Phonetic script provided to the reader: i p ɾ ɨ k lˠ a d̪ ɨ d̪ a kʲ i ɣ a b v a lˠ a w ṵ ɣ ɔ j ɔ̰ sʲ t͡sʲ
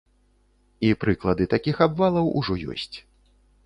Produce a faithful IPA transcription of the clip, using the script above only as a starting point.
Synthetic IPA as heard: i p ɾ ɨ k lˠ ɐ d̪ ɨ t̪ a kʲ i x a b v a lˠ ɐ w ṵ ʐ ɔ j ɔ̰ sʲ t͡sʲ